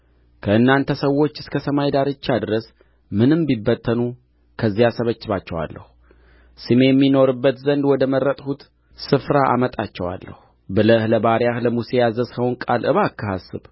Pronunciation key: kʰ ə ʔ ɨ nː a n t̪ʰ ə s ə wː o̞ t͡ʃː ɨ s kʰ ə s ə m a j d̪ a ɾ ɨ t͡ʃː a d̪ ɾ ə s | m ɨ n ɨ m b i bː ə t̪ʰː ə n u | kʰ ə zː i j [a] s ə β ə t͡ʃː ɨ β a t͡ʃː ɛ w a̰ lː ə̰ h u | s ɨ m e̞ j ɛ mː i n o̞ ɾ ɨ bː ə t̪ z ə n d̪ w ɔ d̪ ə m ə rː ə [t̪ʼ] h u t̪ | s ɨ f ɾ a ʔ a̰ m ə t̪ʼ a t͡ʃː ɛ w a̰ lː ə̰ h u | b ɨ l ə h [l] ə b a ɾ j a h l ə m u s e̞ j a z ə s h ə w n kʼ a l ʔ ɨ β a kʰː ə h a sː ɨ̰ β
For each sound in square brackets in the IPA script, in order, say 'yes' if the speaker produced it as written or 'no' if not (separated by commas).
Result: yes, yes, yes